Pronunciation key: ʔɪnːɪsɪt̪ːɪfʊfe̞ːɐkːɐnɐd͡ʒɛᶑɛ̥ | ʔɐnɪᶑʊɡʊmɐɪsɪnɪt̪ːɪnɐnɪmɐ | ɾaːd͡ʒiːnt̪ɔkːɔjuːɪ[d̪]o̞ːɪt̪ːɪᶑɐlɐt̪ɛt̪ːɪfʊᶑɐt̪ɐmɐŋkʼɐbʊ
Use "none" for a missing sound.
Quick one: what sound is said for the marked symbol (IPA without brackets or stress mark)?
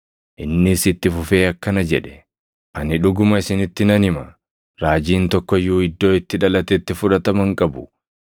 d̪ː